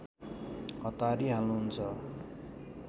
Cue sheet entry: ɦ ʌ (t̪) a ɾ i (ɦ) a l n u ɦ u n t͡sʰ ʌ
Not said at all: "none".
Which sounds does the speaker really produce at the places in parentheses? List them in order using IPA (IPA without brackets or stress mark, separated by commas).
t̪, ɦ